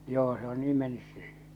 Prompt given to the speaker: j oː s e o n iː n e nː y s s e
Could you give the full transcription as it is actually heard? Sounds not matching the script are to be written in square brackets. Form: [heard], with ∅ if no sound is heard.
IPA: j oː s e o n iː [m] e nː y s s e